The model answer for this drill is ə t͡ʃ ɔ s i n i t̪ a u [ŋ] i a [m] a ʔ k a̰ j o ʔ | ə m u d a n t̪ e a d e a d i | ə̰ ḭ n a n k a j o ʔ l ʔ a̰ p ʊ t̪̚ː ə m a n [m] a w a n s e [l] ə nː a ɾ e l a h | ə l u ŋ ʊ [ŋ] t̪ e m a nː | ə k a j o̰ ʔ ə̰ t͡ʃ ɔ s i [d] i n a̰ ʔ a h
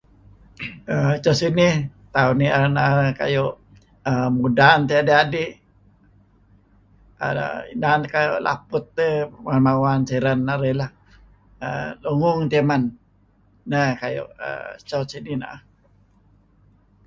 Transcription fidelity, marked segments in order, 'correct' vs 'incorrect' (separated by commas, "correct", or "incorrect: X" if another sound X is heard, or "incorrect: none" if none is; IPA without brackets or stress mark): incorrect: n, incorrect: n, correct, incorrect: ɾ, correct, incorrect: n